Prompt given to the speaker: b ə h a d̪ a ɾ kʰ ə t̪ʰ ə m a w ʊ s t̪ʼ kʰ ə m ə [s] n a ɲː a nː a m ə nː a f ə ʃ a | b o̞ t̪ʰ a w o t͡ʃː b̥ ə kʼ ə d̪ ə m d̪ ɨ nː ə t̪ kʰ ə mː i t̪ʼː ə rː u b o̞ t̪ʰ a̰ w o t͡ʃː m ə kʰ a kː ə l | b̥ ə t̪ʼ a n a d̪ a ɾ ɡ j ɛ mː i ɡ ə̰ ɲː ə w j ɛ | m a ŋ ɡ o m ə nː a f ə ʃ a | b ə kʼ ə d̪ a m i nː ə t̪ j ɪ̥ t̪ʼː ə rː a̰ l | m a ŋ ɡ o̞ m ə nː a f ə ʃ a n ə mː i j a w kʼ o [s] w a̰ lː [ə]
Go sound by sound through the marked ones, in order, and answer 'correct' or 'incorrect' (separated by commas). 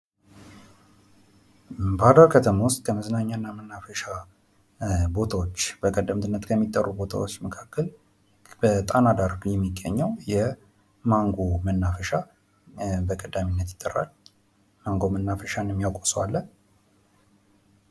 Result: incorrect, correct, correct